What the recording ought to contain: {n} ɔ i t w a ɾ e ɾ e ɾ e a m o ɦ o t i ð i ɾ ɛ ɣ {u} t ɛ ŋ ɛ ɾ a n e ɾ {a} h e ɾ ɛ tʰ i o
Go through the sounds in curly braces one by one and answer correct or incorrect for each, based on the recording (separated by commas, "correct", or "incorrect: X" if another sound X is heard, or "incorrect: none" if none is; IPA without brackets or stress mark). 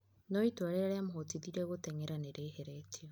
correct, incorrect: o, incorrect: e